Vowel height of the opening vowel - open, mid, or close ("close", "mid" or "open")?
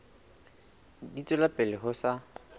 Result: close